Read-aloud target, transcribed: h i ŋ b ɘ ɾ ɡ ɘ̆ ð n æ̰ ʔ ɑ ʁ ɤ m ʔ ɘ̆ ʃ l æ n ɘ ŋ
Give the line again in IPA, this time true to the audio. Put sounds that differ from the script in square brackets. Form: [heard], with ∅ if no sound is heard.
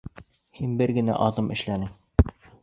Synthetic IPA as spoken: h i [n] b ɘ ɾ ɡ ɘ̆ [∅] n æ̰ ʔ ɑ [ð] ɤ m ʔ ɘ̆ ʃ l æ n ɘ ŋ